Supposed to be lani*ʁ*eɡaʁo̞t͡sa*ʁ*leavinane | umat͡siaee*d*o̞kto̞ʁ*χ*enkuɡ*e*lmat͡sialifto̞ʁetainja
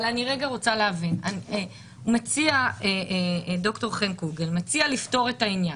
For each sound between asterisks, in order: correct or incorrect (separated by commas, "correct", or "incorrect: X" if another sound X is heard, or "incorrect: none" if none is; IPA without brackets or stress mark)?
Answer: correct, incorrect: none, correct, correct, correct